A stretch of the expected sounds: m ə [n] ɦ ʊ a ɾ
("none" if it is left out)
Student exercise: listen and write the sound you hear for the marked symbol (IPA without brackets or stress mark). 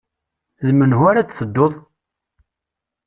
n